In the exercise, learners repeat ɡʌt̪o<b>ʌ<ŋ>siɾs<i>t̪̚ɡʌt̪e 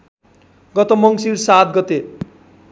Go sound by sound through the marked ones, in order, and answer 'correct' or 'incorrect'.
incorrect, correct, incorrect

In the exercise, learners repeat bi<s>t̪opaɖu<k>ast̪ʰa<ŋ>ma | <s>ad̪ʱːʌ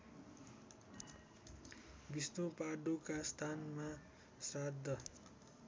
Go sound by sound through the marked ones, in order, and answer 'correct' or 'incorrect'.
correct, correct, incorrect, correct

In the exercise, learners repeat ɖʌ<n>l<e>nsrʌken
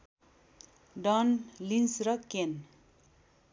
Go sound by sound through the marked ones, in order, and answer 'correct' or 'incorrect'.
correct, incorrect

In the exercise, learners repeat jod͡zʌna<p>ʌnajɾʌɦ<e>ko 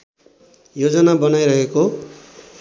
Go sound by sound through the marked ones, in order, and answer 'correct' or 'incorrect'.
incorrect, correct

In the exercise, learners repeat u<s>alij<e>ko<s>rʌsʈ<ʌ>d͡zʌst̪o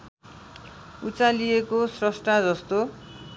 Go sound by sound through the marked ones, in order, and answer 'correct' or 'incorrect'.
incorrect, correct, correct, incorrect

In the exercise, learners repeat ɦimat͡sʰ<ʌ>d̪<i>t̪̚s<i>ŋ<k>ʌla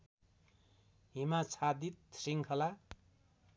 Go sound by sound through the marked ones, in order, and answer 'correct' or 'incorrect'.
incorrect, correct, correct, incorrect

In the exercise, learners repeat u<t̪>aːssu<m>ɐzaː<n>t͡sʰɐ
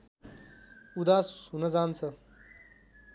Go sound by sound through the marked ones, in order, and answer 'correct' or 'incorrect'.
incorrect, incorrect, correct

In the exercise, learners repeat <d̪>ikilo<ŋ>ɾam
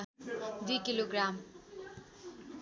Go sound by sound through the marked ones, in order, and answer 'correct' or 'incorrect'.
correct, incorrect

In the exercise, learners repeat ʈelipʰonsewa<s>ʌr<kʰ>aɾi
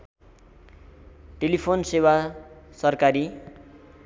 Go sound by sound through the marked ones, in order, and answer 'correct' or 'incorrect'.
correct, incorrect

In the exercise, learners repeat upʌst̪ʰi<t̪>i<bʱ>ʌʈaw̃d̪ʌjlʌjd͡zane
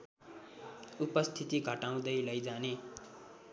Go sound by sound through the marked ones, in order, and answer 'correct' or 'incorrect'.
correct, incorrect

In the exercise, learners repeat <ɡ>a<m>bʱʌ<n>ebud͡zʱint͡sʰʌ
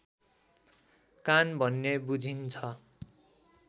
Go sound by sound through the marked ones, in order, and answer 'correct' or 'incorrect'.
incorrect, incorrect, incorrect

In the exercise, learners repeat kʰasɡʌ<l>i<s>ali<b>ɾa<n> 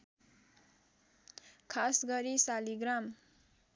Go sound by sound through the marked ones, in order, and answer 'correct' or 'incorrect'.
incorrect, correct, incorrect, incorrect

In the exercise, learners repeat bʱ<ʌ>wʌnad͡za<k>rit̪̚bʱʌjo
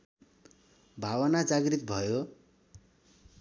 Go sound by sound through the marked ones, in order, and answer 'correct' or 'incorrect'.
incorrect, incorrect

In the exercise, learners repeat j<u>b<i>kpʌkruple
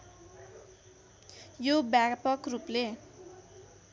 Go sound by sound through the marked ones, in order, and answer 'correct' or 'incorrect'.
incorrect, incorrect

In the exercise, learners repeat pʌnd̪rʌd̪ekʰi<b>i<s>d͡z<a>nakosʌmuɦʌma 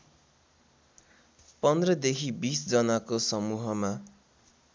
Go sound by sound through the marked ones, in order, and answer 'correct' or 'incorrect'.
correct, correct, incorrect

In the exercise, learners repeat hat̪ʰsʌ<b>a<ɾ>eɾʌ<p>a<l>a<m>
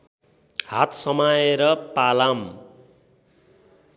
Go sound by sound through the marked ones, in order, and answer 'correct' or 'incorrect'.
incorrect, incorrect, correct, correct, correct

